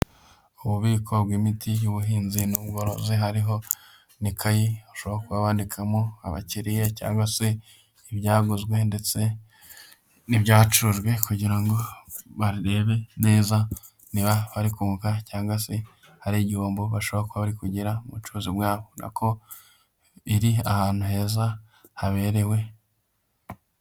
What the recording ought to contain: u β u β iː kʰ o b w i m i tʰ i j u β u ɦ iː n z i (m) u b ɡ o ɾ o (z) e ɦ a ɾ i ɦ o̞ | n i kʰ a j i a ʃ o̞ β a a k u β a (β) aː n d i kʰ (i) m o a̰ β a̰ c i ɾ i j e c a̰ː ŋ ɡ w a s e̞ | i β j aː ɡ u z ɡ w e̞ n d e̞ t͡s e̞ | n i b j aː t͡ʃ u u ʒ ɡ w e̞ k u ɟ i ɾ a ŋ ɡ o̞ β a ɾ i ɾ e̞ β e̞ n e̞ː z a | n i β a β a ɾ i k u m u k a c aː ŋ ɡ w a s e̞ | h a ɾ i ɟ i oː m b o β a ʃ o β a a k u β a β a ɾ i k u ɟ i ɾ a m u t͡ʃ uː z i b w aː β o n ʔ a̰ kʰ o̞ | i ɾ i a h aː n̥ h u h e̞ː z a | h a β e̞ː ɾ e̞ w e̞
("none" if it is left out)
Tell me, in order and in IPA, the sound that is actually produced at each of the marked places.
n, z, β, a

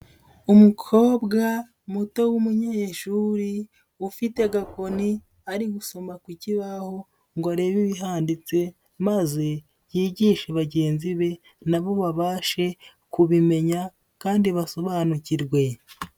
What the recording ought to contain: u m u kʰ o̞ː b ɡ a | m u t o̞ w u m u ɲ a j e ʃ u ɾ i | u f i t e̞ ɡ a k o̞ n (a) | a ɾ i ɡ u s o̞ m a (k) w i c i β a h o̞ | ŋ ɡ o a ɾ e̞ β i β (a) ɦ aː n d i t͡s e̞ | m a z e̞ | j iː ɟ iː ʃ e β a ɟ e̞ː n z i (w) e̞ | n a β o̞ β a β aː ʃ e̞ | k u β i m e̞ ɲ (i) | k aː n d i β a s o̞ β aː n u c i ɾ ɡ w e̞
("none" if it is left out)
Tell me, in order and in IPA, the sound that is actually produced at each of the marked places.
i, k, i, β, a

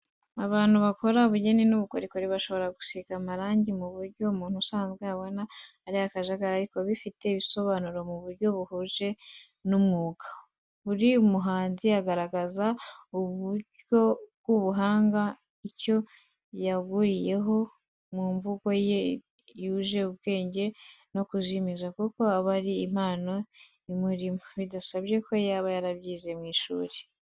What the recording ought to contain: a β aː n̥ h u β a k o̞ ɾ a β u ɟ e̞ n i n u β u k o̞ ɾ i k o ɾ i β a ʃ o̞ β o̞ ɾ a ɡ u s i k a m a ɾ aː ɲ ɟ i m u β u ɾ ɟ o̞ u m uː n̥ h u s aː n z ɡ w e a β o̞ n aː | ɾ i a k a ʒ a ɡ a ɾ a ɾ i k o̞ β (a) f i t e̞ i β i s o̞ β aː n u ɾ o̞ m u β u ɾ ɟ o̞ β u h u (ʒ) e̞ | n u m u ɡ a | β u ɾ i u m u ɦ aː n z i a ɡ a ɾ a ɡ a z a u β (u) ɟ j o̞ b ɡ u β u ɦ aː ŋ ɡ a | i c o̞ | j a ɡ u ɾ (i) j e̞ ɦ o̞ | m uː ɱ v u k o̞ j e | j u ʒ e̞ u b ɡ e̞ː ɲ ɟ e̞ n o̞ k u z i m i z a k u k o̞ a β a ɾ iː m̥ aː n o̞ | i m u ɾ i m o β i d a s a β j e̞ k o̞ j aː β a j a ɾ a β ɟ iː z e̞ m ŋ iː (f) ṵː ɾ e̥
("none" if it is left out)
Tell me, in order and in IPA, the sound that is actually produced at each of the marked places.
i, ʒ, u, i, ʃ

